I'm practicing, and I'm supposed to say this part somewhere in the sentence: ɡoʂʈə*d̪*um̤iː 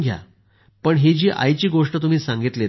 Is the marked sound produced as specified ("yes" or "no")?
no